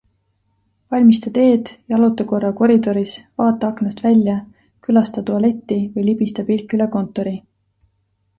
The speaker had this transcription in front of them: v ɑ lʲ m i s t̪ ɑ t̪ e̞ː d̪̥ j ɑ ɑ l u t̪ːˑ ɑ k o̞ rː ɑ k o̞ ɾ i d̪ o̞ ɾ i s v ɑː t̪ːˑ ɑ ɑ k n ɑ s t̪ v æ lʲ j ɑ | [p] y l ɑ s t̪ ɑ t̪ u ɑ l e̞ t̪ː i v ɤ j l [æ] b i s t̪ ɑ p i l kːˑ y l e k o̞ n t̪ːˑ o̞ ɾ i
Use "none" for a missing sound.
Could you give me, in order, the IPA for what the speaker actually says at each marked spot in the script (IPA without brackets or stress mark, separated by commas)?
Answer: k, i